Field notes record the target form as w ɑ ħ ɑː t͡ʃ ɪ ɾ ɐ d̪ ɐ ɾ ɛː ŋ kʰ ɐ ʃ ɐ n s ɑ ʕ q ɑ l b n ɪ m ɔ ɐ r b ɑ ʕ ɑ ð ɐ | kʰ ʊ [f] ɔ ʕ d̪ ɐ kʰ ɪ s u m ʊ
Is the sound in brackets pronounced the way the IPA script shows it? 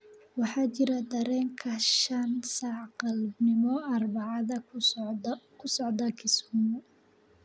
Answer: no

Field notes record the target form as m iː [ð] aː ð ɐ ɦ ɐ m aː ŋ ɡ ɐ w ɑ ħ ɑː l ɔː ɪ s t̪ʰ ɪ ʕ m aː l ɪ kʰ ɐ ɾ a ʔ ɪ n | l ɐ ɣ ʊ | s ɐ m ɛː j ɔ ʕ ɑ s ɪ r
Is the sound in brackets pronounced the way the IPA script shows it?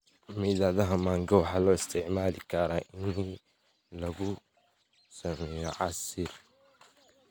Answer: yes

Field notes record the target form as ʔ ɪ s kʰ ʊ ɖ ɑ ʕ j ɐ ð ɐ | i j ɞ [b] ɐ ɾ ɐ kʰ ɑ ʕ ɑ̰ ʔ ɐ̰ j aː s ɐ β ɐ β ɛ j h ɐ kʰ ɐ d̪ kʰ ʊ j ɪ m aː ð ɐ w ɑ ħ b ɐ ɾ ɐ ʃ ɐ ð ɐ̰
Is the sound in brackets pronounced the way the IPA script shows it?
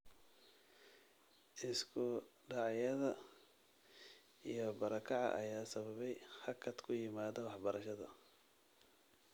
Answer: yes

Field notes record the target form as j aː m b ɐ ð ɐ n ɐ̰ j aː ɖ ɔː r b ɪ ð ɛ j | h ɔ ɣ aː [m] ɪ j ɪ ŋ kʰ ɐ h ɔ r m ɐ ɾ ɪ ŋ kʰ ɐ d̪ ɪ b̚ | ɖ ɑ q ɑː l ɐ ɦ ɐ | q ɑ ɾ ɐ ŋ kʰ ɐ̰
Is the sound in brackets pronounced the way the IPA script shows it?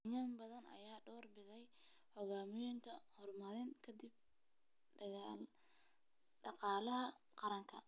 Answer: yes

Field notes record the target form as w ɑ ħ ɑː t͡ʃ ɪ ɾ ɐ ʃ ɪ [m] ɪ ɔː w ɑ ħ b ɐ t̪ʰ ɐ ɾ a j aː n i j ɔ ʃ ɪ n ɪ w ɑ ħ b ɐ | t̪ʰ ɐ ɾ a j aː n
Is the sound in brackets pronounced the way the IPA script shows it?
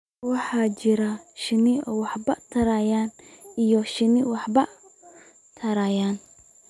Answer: no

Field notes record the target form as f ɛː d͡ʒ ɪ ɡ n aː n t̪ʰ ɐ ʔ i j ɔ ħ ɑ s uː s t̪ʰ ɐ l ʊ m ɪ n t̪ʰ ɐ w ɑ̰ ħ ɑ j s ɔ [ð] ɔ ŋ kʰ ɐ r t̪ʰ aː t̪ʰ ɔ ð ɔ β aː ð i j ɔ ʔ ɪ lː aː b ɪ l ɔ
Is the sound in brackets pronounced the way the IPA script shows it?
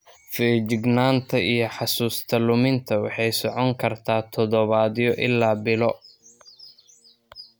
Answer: no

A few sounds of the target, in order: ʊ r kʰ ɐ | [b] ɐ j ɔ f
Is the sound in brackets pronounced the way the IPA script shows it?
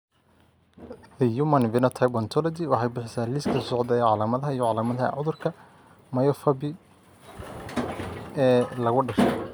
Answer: no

